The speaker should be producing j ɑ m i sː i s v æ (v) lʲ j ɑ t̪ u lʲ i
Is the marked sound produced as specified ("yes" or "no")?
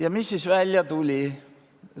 no